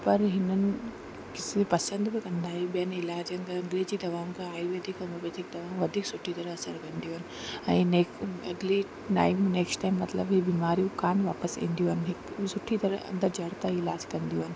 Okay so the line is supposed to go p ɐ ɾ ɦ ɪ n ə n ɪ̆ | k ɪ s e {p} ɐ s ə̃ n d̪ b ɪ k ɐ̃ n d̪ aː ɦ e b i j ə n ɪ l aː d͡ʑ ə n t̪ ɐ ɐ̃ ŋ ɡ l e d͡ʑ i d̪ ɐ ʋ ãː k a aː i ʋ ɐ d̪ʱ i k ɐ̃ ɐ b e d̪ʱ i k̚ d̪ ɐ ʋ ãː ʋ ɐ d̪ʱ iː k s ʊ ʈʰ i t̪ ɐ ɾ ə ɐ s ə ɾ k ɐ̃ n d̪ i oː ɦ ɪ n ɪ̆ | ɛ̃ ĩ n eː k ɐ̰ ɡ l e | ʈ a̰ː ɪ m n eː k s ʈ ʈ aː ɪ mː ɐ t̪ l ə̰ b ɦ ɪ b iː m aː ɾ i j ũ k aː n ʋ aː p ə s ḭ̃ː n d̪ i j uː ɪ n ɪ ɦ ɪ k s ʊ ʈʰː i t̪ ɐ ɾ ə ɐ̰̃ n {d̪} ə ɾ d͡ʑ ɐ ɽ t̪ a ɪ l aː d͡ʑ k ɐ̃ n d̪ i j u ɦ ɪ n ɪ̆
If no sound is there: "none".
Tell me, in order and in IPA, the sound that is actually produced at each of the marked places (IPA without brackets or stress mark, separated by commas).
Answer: p, d̪